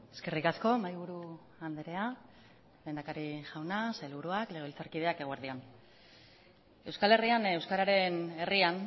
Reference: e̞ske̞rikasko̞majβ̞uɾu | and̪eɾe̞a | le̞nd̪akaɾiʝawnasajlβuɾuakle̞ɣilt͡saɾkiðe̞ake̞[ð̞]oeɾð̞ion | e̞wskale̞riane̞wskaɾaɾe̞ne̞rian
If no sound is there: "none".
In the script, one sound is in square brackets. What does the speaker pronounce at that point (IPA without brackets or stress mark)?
ɣ̞